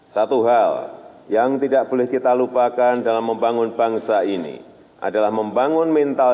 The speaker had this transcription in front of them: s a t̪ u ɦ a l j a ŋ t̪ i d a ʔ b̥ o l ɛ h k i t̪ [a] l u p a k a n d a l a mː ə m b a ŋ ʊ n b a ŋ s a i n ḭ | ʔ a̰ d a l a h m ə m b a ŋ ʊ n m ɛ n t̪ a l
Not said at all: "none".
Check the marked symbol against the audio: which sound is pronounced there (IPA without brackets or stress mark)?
a